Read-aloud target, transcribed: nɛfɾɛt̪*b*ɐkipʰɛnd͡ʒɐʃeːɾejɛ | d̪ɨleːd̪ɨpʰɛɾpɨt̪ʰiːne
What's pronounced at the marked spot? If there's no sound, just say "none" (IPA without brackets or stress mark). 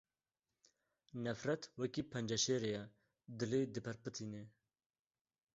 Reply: w